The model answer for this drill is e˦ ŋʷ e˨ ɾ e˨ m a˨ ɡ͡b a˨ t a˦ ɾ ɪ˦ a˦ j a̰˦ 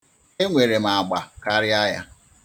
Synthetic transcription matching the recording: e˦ ŋʷ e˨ ɾ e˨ m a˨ ɡ͡b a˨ k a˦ ɾ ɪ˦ a˦ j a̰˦